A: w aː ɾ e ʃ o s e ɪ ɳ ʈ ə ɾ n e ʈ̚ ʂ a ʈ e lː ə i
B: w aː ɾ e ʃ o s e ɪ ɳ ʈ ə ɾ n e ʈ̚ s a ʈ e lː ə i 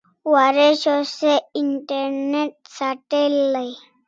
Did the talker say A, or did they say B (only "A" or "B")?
B